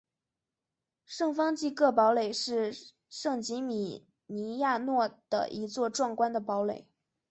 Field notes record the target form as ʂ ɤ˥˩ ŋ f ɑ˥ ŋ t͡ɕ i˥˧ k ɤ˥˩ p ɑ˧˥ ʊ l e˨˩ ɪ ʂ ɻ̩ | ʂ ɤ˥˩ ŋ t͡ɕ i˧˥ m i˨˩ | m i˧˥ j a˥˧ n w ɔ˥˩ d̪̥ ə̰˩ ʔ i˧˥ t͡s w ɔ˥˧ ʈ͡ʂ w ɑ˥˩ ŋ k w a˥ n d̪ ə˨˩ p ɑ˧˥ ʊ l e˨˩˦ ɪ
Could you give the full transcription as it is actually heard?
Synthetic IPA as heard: ʂ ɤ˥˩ ŋ f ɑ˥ ŋ t͡ɕ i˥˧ k ɤ˥˩ p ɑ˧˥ ʊ l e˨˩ ɪ ʂ ɻ̩ | ʂ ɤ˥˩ ŋ t͡ɕ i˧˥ m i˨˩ | n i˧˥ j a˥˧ n w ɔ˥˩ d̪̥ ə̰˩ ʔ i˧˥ t͡s w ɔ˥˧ ʈ͡ʂ w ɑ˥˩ ŋ k w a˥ n d̪ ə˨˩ p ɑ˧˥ ʊ l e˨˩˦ ɪ